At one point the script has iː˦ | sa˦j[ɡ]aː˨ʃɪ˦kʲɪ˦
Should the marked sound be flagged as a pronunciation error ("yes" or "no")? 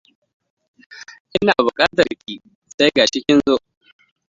no